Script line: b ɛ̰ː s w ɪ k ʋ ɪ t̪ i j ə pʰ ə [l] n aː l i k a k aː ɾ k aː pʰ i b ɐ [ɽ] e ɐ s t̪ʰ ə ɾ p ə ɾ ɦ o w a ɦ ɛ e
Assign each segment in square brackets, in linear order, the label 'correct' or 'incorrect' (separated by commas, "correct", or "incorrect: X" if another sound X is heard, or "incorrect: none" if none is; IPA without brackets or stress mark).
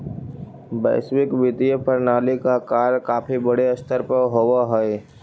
incorrect: ɾ, correct